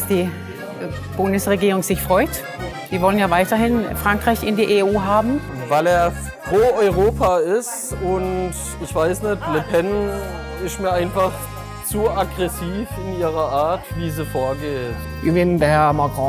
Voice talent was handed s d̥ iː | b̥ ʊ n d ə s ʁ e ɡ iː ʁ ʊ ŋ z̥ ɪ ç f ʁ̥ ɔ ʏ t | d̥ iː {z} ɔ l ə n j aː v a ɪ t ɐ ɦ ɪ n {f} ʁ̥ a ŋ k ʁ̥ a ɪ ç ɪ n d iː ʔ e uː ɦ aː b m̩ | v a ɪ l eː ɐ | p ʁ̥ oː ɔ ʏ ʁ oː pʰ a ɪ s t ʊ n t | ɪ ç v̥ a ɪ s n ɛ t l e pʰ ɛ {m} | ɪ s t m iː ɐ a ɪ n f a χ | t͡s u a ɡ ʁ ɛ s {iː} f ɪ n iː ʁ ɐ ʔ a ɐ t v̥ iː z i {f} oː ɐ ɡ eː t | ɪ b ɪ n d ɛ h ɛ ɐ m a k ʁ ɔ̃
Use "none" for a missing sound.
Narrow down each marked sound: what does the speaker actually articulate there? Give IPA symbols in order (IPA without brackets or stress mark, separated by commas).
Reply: v, f, n, iː, f